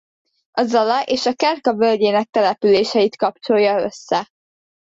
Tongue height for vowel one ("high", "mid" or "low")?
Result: low